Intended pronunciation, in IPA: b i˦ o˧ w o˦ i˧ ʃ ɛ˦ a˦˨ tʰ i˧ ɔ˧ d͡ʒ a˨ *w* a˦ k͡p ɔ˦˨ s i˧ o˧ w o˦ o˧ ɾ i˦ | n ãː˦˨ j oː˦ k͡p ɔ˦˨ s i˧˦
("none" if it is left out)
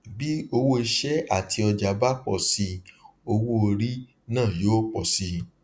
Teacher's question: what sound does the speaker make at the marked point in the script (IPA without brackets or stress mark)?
b